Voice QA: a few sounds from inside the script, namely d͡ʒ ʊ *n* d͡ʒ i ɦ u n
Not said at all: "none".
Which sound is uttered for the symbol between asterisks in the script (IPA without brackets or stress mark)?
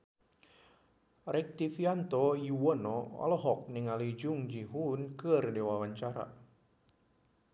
ŋ